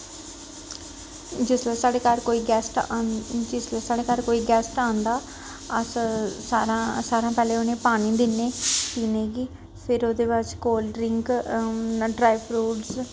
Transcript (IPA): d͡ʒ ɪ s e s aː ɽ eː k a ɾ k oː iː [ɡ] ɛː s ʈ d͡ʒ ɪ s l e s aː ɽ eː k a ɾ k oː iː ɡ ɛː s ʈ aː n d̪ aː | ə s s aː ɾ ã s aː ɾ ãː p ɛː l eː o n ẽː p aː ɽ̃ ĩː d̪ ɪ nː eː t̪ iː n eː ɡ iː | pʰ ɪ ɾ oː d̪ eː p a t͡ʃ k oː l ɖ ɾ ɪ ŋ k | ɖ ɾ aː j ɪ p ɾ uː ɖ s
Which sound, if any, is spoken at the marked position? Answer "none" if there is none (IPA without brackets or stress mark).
ɡ